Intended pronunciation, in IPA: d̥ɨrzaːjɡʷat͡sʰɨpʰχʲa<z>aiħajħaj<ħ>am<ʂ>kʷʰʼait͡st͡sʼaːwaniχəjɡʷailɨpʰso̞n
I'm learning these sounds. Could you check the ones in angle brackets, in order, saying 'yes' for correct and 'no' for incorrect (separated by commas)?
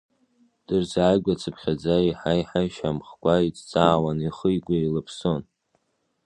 no, no, no